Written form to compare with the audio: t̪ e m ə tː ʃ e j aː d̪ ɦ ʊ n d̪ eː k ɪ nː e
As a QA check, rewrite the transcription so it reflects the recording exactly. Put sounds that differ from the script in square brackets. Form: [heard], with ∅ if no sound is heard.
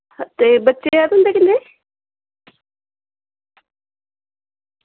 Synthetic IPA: t̪ e [b] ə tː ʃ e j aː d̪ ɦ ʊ n d̪ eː k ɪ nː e

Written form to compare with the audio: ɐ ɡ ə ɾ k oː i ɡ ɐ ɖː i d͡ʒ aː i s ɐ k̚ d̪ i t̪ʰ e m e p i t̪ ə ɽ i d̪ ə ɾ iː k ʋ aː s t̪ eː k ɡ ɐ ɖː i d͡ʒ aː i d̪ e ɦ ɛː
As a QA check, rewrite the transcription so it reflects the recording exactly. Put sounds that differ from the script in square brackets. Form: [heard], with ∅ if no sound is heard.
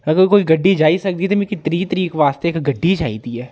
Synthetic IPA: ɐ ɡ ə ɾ k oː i ɡ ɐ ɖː i d͡ʒ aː i s ɐ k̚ d̪ i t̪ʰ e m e [k] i t̪ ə [ɾ] i [t̪] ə ɾ iː k ʋ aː s t̪ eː k ɡ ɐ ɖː i d͡ʒ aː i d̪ [i] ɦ ɛː

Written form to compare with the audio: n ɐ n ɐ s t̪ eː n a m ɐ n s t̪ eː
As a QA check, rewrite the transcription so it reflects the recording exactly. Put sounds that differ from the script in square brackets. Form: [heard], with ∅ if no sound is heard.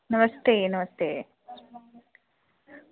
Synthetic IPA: n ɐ [m] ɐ s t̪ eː n [ɐ] m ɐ [∅] s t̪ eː

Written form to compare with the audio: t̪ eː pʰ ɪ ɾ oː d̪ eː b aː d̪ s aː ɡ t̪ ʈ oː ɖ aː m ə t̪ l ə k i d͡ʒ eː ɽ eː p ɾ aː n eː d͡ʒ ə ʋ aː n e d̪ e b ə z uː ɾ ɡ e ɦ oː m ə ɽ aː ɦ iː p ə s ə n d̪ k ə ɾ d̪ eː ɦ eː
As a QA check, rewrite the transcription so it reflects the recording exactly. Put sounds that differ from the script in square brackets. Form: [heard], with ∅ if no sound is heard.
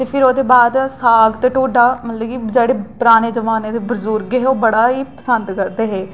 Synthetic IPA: t̪ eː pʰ ɪ ɾ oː d̪ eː b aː d̪ s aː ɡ t̪ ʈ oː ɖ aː m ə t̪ l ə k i d͡ʒ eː ɽ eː p ɾ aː n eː d͡ʒ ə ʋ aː n e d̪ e b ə z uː ɾ ɡ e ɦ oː [b] ə ɽ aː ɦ iː p ə s ə n d̪ k ə ɾ d̪ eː ɦ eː

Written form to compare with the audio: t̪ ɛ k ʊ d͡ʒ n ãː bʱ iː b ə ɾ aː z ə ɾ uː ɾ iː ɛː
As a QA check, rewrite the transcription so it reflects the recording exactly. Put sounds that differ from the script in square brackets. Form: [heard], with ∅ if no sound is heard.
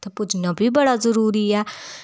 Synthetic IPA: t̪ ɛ [p] ʊ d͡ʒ n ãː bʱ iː b ə [ɽ] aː z ə ɾ uː ɾ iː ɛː

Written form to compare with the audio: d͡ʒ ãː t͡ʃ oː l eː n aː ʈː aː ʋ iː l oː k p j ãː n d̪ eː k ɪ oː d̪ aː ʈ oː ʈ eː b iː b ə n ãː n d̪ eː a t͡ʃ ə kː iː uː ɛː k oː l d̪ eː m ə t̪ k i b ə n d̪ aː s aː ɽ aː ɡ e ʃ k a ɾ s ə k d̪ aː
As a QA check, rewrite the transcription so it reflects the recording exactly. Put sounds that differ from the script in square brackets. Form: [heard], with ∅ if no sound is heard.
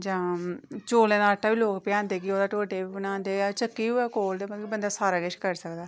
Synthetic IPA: d͡ʒ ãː t͡ʃ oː l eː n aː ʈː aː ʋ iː l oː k p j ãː n d̪ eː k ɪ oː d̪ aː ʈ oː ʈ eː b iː b ə n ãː n d̪ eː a t͡ʃ ə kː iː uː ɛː k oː l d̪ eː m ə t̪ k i b ə n d̪ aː s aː [ɾ] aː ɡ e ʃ k [ə] ɾ s ə k d̪ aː

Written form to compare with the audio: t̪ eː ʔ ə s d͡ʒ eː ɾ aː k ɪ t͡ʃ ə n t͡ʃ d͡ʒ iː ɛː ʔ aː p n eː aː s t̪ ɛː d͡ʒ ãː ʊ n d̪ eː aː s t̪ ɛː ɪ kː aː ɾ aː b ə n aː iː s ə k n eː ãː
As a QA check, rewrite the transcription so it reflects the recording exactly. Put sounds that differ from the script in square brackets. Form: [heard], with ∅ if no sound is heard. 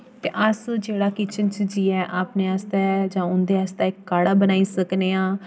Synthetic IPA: t̪ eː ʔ ə s d͡ʒ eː [ɽ] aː k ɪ t͡ʃ ə n t͡ʃ d͡ʒ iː ɛː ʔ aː p n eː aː s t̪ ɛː d͡ʒ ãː ʊ n d̪ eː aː s t̪ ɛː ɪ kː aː [ɽ] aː b ə n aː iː s ə k n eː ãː

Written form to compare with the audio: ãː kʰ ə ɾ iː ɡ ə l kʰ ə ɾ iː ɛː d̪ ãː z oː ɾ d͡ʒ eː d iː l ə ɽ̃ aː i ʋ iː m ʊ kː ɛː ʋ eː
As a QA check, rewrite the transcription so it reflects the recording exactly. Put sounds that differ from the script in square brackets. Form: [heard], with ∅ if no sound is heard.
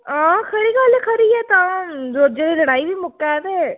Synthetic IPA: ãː kʰ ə ɾ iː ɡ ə l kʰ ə ɾ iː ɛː [t̪] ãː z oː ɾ d͡ʒ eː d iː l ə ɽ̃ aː i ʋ iː m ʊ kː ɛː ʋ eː

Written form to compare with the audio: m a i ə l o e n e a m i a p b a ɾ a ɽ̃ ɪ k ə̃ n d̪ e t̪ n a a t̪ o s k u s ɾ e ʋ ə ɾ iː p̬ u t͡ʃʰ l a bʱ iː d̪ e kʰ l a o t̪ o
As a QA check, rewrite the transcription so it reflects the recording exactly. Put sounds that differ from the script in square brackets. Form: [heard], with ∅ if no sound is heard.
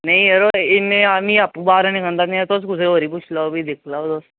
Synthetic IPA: [n] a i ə [ɾ] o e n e a m i a p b a ɾ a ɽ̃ [i] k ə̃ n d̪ [a] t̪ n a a t̪ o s k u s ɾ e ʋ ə ɾ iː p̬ u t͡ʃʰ l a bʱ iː d̪ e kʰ l a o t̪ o

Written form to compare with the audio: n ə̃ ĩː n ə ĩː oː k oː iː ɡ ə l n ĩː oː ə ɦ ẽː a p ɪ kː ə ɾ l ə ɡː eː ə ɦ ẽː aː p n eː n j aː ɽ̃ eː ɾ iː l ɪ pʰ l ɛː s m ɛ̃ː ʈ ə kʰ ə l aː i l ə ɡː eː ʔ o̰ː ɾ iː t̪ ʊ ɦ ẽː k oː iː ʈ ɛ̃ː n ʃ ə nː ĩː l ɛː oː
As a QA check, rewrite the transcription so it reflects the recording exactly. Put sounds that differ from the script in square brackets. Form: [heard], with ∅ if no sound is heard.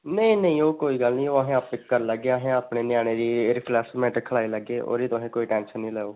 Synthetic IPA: n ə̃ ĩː n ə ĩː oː k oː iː ɡ ə l n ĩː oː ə ɦ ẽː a p ɪ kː ə ɾ l ə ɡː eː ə ɦ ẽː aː p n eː n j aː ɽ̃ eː ɾ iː [ɾ] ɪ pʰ l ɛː s m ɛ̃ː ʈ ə kʰ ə l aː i l ə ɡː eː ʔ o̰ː ɾ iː t̪ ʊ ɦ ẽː k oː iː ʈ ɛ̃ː n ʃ ə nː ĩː l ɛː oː

